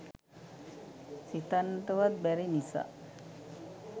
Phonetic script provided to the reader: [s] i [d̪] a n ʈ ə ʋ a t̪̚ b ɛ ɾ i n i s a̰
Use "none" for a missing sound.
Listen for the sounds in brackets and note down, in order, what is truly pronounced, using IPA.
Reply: s, t̪

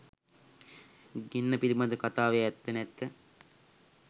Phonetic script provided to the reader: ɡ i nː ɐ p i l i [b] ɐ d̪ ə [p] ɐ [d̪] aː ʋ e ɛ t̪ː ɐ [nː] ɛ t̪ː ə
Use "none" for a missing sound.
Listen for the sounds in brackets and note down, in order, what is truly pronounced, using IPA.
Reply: m, k, t̪, n

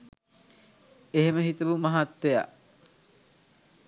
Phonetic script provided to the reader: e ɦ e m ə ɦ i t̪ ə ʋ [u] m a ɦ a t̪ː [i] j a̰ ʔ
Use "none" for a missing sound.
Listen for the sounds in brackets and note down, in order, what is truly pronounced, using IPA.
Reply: u, e

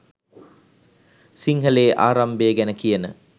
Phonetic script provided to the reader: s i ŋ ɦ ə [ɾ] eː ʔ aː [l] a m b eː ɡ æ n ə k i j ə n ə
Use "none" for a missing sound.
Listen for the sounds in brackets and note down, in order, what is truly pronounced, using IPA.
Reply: l, ɾ

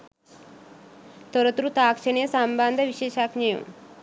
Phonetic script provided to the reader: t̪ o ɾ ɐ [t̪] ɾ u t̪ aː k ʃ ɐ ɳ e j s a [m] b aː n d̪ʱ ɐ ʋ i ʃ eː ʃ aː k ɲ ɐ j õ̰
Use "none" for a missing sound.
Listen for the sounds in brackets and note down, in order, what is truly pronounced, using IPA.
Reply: t̪, m

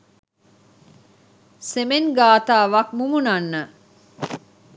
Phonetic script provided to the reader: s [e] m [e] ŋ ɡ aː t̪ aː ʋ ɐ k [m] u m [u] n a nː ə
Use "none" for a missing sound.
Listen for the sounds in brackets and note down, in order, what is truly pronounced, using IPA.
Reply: e, e, m, u

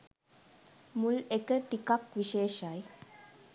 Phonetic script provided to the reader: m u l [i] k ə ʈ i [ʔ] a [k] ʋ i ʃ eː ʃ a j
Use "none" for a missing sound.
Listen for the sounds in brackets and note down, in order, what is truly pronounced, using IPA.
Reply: e, k, k

